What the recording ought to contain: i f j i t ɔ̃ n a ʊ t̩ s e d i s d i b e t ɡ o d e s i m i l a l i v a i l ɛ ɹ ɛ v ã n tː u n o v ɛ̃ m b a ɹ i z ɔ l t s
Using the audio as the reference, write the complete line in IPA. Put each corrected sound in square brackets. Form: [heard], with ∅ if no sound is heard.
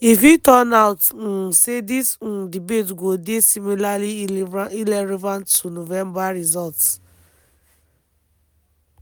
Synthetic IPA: i f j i t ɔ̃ n a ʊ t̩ s e d i s d i b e t ɡ o d e s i m i l a l i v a i l ɛ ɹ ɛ v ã n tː u n o v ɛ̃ m b a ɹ i z ɔ l t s